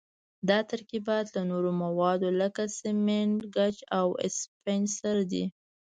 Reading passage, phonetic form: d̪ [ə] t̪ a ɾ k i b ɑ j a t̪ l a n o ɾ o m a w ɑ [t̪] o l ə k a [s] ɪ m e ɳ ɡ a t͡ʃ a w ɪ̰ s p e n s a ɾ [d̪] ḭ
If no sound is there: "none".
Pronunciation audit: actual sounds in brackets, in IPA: ɑ, d̪, s, d̪

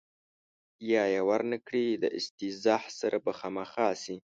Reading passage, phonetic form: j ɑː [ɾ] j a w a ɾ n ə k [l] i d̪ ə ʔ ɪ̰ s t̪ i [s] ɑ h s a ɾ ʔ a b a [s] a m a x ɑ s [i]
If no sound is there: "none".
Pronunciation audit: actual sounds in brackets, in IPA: none, ɽ, z, x, i

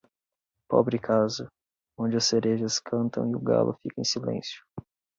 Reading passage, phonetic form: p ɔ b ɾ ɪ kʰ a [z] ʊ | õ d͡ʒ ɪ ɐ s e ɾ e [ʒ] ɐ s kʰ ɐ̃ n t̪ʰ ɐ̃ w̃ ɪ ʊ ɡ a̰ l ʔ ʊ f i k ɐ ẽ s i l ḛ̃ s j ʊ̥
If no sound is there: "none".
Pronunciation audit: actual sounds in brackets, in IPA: z, ʒ

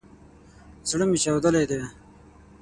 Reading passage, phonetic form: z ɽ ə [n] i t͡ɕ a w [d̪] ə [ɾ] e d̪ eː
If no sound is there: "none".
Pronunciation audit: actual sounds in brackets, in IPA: m, d̪, l

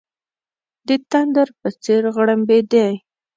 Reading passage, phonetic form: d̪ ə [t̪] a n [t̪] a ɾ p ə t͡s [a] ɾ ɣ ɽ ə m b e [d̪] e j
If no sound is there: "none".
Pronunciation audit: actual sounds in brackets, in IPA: t̪, d̪, e, d̪

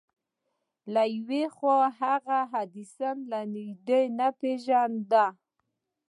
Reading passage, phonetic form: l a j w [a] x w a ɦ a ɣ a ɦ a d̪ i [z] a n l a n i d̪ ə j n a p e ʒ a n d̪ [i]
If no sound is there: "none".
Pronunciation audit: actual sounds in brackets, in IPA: e, s, a

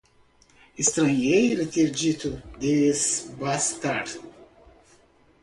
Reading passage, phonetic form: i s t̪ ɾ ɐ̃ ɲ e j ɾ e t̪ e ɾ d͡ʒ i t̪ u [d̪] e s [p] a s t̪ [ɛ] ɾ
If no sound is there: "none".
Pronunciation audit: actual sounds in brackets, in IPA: d̪, b, a

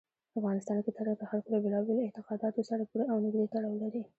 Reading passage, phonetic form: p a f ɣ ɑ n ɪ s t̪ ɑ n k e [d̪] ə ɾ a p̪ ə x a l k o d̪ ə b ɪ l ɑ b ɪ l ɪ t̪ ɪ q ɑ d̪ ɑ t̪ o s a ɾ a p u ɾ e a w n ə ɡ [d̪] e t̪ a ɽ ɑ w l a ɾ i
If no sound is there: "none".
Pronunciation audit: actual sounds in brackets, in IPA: t̪, d̪

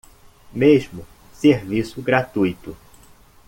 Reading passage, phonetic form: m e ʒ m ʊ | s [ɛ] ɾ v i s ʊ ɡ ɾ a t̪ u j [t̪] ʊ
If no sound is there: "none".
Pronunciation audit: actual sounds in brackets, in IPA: e, t̪

